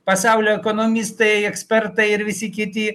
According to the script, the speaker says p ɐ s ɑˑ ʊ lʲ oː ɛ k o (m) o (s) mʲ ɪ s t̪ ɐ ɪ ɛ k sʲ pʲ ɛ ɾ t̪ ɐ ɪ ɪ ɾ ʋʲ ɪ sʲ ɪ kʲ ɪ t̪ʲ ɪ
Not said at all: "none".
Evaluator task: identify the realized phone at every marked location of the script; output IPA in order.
n, none

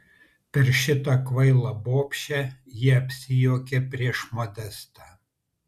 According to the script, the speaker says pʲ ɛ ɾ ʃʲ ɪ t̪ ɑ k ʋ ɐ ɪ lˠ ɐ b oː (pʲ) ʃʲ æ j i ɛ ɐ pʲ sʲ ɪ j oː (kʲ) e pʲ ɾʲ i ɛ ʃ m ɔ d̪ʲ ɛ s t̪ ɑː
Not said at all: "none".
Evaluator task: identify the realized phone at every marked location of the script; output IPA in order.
pʲ, kʲ

